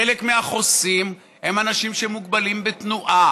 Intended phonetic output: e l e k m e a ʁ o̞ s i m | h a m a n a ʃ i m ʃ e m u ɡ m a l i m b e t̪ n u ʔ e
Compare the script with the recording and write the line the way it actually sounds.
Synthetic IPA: e l e k m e a χ o̞ s i m | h e m a n a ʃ i m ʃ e m u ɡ b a l i m b e t̪ n u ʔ a